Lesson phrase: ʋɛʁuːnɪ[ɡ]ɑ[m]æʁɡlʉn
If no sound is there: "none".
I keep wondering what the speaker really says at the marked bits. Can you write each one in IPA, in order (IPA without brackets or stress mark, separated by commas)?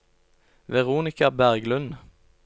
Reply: k, b